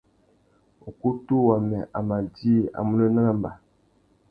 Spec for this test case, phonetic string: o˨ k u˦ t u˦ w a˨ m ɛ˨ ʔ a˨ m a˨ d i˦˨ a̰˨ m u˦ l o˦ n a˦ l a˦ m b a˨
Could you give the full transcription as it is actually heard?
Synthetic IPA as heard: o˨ k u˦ t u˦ w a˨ m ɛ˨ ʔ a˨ m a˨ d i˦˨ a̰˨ m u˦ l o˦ n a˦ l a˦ m b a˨